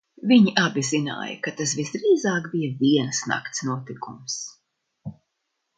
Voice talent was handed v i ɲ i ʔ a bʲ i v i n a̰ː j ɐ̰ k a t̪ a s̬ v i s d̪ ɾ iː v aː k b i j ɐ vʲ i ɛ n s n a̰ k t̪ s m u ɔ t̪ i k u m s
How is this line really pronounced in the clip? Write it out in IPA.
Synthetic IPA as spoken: v i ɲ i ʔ a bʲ i z i n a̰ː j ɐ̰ k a t̪ a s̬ v i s d̪ ɾ iː z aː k b i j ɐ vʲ i ɛ n s n a̰ k t̪ s n u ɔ t̪ i k u m s